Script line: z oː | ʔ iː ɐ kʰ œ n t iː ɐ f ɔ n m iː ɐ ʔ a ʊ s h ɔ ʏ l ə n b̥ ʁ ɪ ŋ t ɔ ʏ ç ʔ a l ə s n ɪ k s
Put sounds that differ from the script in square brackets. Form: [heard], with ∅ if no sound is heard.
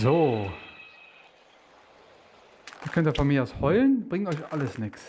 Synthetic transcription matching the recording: z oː | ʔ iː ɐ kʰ œ n t iː ɐ f ɔ n m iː ɐ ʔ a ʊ s h ɔ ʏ l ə n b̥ ʁ ɪ ŋ t ɔ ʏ ç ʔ a l ə s n ɪ k s